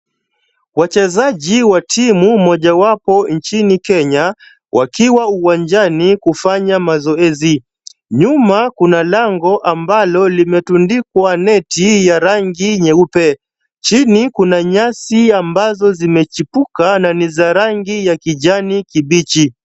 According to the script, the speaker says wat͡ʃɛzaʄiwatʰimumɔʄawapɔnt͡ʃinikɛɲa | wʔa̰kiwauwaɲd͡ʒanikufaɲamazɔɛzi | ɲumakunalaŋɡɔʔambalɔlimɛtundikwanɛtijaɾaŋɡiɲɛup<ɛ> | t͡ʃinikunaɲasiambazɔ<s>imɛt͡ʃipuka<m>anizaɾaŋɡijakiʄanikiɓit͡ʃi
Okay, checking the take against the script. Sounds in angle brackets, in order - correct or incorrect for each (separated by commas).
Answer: correct, incorrect, incorrect